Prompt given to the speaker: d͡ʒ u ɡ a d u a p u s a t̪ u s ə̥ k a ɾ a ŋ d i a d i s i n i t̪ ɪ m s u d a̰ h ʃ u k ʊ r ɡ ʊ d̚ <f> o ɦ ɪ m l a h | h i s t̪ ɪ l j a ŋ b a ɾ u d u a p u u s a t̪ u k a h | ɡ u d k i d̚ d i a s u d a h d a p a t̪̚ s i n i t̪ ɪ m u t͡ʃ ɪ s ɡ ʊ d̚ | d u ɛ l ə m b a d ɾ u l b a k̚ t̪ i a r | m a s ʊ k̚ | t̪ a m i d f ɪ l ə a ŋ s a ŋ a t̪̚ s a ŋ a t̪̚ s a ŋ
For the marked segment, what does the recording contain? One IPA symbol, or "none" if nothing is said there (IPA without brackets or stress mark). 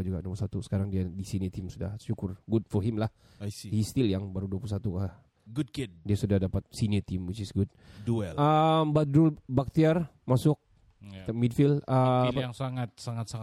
f